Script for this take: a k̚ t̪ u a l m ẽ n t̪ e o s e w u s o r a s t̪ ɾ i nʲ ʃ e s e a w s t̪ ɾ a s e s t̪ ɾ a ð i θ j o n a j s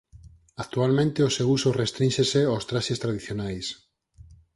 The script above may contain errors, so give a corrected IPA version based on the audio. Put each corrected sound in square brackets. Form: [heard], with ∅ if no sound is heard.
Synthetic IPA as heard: a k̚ t̪ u a l m ẽ n t̪ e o s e w u s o r [e] s t̪ ɾ i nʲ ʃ e s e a w s t̪ ɾ a [ʃ] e s t̪ ɾ a ð i θ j o n a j s